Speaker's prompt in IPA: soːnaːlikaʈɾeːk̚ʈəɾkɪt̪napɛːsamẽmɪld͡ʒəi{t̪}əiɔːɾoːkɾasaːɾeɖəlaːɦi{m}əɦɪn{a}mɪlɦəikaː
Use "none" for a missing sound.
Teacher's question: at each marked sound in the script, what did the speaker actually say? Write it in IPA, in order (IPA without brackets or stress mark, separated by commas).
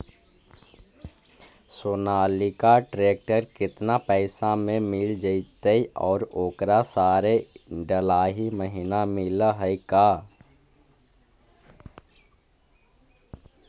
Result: t̪, m, a